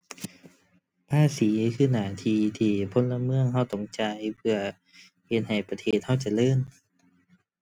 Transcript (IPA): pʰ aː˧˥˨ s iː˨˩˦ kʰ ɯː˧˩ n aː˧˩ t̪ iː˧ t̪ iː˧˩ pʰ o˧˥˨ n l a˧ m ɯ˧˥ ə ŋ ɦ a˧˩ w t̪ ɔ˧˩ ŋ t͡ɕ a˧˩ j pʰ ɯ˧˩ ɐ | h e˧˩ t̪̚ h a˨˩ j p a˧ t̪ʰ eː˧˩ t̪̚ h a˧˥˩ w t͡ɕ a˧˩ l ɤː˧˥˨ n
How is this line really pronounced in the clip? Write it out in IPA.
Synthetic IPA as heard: pʰ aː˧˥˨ s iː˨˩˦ kʰ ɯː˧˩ n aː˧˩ t̪ʰ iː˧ t̪ʰ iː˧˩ pʰ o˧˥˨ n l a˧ m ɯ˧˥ ə ŋ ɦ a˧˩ w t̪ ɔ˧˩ ŋ t͡ɕ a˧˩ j pʰ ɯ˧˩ ɐ | h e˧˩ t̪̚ h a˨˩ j p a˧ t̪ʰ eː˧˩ t̪̚ h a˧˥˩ w t͡ɕ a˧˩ l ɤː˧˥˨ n